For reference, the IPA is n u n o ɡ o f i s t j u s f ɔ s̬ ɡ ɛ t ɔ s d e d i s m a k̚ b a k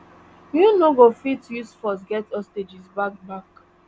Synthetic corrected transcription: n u n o ɡ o f i t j u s f ɔ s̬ ɡ ɛ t ɔ s t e d͡ʒ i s b a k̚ b a k